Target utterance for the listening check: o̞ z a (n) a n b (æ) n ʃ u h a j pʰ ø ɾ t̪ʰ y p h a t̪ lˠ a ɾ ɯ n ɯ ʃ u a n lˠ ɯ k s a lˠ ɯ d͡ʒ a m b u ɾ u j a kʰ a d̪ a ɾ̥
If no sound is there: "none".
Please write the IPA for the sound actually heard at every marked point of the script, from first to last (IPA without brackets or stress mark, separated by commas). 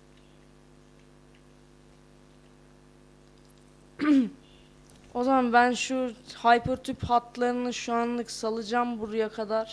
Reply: m, æ